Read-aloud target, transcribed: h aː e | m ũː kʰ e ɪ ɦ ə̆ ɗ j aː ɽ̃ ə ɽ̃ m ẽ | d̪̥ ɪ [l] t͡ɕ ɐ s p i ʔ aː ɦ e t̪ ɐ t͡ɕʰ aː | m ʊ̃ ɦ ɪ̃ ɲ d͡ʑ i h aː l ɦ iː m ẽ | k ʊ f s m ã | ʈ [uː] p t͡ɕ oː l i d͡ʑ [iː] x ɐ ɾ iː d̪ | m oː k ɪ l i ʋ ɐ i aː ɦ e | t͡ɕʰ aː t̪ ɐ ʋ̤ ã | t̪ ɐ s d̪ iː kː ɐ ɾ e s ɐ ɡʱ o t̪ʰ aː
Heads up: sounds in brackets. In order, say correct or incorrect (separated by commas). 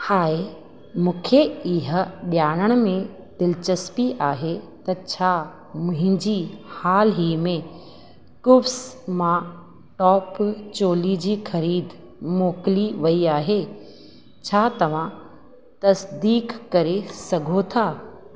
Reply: correct, incorrect, correct